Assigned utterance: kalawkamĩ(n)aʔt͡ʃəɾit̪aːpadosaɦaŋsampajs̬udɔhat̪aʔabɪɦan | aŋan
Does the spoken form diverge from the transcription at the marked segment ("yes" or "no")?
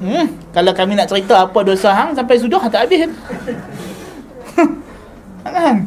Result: no